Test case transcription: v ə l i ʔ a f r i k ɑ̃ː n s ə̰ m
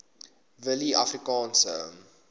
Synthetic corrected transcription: v ə l i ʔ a f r i k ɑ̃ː n s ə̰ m